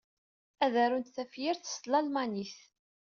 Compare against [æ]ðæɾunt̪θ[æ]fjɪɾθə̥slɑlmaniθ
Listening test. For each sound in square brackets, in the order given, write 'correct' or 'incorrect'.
correct, correct

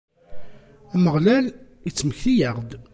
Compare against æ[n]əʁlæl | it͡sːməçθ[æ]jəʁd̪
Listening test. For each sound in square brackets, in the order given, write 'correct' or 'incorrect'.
incorrect: m, incorrect: i

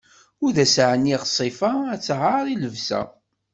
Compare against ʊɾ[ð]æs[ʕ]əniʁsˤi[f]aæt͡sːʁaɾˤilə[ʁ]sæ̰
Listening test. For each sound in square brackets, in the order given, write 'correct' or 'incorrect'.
correct, correct, correct, incorrect: v

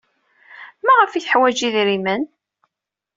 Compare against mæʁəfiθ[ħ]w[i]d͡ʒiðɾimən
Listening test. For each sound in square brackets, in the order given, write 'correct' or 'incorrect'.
correct, incorrect: æ

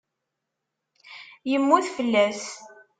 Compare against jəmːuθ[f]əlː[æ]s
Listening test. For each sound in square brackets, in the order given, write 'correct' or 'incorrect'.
correct, correct

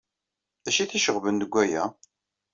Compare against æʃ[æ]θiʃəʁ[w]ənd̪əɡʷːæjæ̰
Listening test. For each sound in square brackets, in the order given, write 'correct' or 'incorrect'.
incorrect: i, incorrect: v

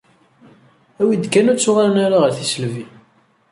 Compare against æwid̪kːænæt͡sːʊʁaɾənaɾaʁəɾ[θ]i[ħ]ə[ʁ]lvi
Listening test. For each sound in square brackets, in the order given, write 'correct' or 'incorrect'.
correct, incorrect: s, incorrect: none

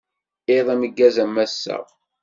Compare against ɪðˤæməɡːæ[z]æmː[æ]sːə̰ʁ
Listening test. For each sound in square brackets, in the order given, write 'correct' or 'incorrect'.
correct, correct

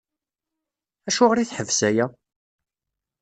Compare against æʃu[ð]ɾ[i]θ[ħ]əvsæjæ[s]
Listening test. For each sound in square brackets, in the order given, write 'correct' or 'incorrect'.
incorrect: ʁ, correct, correct, incorrect: none

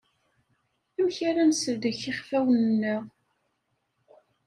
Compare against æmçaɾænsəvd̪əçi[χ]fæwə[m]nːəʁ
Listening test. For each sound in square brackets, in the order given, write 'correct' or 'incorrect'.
correct, incorrect: n

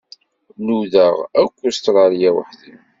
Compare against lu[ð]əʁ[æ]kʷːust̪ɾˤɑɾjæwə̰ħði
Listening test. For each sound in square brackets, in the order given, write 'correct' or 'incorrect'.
correct, correct

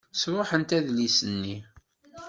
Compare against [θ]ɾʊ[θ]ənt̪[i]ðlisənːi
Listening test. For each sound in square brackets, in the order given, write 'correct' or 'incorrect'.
incorrect: s, incorrect: ħ, incorrect: æ

